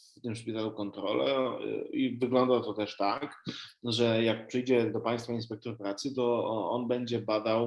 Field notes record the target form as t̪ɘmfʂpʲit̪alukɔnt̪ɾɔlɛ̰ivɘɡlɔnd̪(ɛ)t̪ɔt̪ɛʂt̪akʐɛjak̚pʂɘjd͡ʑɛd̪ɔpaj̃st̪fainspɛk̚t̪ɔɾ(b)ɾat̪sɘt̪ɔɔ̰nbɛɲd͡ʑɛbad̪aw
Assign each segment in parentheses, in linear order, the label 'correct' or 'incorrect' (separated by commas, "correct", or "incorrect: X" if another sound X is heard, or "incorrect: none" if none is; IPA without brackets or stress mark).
incorrect: a, incorrect: p